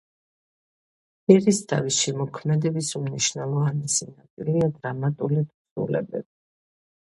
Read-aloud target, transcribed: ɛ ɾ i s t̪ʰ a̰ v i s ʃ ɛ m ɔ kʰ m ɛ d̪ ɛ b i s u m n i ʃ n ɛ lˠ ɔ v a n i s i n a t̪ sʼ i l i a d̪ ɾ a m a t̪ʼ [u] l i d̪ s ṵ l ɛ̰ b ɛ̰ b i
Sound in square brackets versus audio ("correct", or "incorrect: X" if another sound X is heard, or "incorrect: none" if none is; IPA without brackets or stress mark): correct